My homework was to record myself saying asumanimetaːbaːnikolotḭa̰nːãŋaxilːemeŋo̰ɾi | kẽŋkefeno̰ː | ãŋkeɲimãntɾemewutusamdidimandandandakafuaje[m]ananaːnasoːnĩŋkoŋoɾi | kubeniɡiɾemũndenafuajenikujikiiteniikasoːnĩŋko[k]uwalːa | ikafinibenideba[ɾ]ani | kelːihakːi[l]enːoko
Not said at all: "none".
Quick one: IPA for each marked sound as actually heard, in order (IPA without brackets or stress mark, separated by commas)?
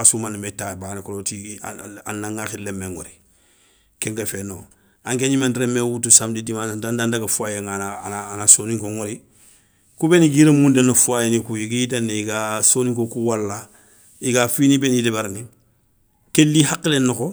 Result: ŋ, k, ɾ, l